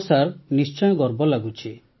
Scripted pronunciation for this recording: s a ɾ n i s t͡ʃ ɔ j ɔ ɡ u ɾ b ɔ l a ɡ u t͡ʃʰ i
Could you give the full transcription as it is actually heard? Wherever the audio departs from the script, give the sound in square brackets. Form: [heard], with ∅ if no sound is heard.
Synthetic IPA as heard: s a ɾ n i s t͡ʃ ɔ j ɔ ɡ [ɔ] ɾ b ɔ l a ɡ u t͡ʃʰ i

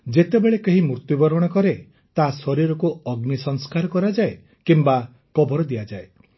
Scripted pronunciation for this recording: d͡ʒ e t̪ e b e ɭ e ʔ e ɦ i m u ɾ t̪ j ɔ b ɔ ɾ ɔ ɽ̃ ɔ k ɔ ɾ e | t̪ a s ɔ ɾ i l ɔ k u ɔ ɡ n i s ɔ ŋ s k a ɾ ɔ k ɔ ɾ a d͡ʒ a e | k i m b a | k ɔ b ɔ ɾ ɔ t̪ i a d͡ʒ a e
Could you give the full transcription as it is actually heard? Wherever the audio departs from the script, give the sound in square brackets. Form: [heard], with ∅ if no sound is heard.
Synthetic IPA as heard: d͡ʒ e t̪ e b e ɭ e [k] e ɦ i m u ɾ t̪ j [u] b ɔ ɾ ɔ ɽ̃ ɔ k ɔ ɾ e | t̪ a s ɔ ɾ i [ɾ] ɔ k u ɔ ɡ n i s ɔ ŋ s k a ɾ ɔ k ɔ ɾ a d͡ʒ a e | k i m b a | k ɔ b ɔ ɾ ɔ [d̪] i a d͡ʒ a e

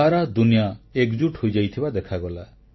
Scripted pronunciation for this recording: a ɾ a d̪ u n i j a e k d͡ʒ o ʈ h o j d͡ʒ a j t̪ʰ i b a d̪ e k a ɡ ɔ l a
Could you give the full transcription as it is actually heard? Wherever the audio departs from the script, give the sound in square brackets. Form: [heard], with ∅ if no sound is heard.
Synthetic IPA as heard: a ɾ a d̪ u n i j a e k d͡ʒ [u] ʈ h o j d͡ʒ a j t̪ʰ i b a d̪ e [kʰ] a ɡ ɔ l a

